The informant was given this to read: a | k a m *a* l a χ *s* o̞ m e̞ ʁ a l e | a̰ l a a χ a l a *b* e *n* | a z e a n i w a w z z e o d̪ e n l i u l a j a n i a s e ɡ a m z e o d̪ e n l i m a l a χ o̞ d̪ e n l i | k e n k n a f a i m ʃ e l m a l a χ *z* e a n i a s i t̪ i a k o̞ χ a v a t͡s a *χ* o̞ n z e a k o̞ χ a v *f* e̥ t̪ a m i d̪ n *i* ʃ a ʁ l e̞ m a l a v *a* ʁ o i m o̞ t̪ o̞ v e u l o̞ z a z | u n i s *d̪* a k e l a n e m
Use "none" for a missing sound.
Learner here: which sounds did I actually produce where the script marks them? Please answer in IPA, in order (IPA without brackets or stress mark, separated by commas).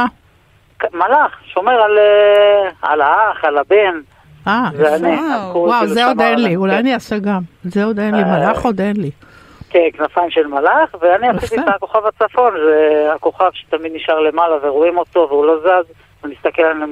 a, ʃ, b, n, v, f, ʃ, i, e, t̪